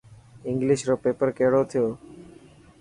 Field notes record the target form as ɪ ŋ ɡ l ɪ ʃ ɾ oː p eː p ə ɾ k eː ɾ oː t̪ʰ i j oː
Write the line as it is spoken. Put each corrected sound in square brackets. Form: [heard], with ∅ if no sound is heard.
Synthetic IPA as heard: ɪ ŋ ɡ l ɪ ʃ ɾ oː p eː p ə ɾ k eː [ɽ] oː t̪ʰ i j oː